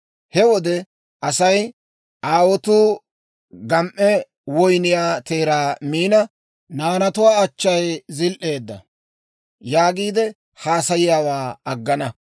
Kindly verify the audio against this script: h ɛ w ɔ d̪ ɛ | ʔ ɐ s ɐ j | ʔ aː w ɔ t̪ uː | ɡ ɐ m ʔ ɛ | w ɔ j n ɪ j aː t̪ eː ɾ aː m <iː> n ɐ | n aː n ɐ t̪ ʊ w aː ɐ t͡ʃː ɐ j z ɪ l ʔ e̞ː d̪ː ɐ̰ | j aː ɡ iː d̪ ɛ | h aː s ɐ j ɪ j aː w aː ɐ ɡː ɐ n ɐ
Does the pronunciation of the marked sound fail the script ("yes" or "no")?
no